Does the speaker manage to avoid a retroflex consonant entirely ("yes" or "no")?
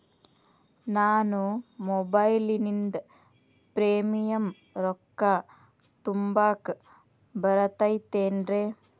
yes